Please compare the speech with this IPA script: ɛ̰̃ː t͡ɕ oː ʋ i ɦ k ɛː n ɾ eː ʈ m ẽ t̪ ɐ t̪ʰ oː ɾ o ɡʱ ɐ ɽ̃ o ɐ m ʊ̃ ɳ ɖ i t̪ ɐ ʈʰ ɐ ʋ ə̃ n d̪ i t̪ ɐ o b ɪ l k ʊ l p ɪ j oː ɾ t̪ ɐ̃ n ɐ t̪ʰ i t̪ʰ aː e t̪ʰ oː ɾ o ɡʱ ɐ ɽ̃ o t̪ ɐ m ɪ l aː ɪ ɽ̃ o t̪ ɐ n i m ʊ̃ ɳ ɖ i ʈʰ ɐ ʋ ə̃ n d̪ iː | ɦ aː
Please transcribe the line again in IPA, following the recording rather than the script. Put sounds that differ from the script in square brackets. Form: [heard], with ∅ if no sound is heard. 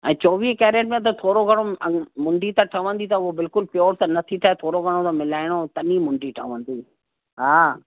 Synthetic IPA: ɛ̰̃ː t͡ɕ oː ʋ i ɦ k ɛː [∅] ɾ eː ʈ m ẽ t̪ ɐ t̪ʰ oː ɾ o ɡʱ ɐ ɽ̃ o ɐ m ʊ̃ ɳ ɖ i t̪ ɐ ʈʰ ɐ ʋ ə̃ n d̪ i t̪ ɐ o b ɪ l k ʊ l p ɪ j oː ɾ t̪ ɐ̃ n ɐ t̪ʰ i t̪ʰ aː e t̪ʰ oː ɾ o ɡʱ ɐ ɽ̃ o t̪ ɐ m ɪ l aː ɪ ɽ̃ o t̪ ɐ n i m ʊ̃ ɳ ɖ i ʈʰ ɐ ʋ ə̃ n d̪ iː | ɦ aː